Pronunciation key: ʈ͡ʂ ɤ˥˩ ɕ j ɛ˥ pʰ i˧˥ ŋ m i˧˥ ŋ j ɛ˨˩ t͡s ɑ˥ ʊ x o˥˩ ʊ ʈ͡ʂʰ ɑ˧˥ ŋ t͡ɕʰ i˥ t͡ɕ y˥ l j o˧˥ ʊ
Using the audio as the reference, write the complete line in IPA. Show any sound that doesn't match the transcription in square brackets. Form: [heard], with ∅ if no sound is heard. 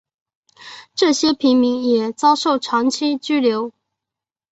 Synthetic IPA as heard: ʈ͡ʂ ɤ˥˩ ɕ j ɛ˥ pʰ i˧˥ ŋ m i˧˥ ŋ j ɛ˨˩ t͡s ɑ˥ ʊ [ʂ] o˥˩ ʊ ʈ͡ʂʰ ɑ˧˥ ŋ t͡ɕʰ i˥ t͡ɕ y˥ l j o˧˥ ʊ